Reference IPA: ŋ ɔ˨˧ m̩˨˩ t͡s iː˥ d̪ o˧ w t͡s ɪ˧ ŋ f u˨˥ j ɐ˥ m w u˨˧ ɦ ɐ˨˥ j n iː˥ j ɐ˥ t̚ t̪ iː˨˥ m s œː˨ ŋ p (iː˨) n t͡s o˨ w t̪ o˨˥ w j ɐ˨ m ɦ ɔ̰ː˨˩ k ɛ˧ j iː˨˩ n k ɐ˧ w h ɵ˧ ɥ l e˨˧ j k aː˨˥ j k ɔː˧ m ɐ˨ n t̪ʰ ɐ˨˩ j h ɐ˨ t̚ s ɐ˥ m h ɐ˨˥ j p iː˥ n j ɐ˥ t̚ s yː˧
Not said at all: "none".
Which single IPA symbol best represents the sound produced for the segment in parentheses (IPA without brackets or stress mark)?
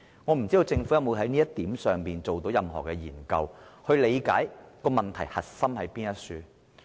iː˨